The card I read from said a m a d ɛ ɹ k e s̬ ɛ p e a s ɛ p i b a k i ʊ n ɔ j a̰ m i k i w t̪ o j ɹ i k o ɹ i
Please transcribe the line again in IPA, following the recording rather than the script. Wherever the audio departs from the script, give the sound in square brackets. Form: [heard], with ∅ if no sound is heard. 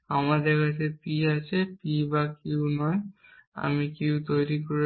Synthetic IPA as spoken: a m a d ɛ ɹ k [a] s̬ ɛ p [i] a s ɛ p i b a k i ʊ n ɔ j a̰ m i k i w t̪ o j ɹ i k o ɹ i

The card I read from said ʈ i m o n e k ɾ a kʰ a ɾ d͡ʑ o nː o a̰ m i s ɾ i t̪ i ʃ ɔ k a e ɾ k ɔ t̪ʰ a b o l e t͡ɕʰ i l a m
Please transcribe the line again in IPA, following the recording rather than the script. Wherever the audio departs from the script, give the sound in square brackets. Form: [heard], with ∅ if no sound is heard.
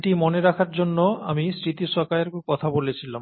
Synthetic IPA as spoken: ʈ i m o n e [∅] ɾ a kʰ a ɾ d͡ʑ o nː o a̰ m i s ɾ i t̪ i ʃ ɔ k a e ɾ k ɔ t̪ʰ a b o l e t͡ɕʰ i l a m

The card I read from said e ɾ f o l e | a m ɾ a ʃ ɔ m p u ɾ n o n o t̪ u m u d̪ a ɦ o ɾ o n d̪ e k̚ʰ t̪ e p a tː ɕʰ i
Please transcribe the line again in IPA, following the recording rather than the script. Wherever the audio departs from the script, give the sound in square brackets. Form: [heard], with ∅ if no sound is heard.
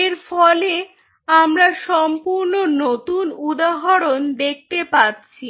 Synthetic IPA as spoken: e ɾ f [ɔ] l e | a m ɾ a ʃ ɔ m p u ɾ n o n o t̪ u [n] u d̪ a ɦ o ɾ o n d̪ e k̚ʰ t̪ e p a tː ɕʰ i

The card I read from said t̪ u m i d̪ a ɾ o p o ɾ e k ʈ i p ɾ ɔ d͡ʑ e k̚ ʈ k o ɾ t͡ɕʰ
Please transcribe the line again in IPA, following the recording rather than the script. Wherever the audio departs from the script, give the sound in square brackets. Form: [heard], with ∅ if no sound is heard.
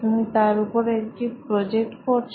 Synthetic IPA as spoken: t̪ u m i [t̪] a ɾ [u] p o ɾ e k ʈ i p ɾ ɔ d͡ʑ e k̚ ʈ k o ɾ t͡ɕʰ

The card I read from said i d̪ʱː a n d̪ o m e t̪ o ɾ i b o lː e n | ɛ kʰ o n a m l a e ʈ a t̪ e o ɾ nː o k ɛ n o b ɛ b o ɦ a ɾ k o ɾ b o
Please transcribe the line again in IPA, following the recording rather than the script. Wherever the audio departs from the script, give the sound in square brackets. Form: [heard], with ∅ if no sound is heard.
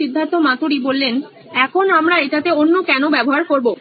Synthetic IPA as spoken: i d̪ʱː a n [t̪] o m [a] t̪ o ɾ i b o lː e n | ɛ kʰ o n a m [ɾ] a e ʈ a t̪ e o [∅] nː o k ɛ n o b ɛ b o ɦ a ɾ k o ɾ b o

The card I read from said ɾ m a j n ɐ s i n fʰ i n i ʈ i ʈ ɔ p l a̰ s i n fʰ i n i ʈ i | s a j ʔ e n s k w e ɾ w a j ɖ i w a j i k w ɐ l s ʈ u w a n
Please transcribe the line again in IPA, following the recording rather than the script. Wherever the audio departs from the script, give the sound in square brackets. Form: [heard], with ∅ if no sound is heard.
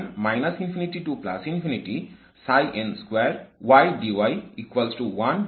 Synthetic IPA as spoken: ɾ m a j n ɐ s i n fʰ i n i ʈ i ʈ [u] p l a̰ s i n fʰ i n i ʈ i | s a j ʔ e n s k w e ɾ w a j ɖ i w a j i k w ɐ l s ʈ u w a n

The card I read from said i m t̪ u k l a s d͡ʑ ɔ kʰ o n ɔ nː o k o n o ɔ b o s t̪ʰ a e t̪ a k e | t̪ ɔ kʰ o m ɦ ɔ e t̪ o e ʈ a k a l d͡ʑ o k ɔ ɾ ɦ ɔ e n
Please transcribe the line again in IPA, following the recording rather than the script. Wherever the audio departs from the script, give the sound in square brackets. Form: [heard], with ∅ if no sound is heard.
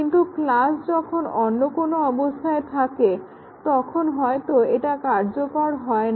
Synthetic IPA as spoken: i [n] t̪ u k l a s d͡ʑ ɔ kʰ o n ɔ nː o k o n o ɔ b o s t̪ʰ a e [t̪ʰ] a k e | t̪ ɔ kʰ o [n] ɦ ɔ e t̪ o e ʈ a k a [ɾ] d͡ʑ o k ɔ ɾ ɦ ɔ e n

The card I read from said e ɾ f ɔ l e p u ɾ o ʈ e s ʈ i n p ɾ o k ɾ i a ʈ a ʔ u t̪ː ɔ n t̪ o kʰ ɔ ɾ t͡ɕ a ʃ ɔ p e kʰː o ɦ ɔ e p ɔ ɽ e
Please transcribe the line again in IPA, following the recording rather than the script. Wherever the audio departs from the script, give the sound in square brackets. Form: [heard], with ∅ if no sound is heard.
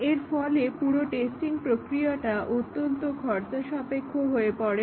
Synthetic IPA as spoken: e ɾ f ɔ l e p u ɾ o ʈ e s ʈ i [ŋ] p ɾ o k ɾ i a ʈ a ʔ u t̪ː [o] n t̪ o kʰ ɔ ɾ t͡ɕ a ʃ ɔ p e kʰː o ɦ [o] e p ɔ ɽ e

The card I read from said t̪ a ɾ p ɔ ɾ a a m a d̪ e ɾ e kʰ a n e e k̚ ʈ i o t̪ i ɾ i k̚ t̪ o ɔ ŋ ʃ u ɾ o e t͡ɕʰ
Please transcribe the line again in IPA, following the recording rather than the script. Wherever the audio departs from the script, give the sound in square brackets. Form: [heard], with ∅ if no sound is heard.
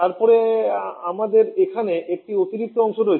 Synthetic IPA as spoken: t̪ a ɾ p ɔ ɾ [e] a m a d̪ e ɾ e kʰ a n e e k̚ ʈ i o t̪ i ɾ i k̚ t̪ o ɔ ŋ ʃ [o] ɾ o e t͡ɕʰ

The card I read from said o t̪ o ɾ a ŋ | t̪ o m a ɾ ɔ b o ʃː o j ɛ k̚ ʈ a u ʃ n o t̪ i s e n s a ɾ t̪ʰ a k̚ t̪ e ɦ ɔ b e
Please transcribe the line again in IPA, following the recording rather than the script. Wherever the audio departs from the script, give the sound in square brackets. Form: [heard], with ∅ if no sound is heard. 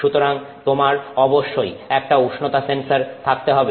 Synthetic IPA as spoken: [u] t̪ o ɾ a ŋ | t̪ o m a ɾ ɔ b o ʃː o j ɛ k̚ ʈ a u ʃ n o t̪ [a] s e n s a ɾ t̪ʰ a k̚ t̪ e ɦ ɔ b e

